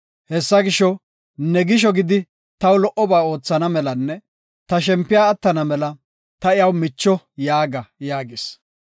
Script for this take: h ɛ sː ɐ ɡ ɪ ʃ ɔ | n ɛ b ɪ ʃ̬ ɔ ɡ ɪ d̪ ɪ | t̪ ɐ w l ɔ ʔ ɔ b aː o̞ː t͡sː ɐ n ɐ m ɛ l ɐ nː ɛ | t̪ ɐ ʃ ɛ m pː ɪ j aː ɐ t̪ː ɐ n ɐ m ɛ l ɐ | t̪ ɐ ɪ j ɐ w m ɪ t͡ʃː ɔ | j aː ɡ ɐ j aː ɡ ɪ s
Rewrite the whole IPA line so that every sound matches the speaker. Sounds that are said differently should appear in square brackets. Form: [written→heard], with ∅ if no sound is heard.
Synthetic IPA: h ɛ sː ɐ ɡ ɪ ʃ ɔ | n ɛ [b→ɡ] ɪ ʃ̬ ɔ ɡ ɪ d̪ ɪ | t̪ ɐ w l ɔ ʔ ɔ b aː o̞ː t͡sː ɐ n ɐ m ɛ l ɐ nː ɛ | t̪ ɐ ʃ ɛ m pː ɪ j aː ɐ t̪ː ɐ n ɐ m ɛ l ɐ | t̪ ɐ ɪ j ɐ w m ɪ t͡ʃː ɔ | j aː ɡ ɐ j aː ɡ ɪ s